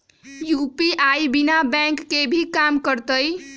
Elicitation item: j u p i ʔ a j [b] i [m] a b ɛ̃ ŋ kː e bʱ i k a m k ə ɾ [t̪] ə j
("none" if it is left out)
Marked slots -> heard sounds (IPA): b, n, t̪

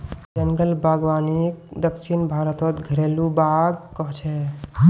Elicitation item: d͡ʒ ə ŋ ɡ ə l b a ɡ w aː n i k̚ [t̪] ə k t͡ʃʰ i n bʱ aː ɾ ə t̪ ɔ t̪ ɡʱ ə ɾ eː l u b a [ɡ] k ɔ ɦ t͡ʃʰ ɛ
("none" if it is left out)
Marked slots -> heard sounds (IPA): d̪, ɡ

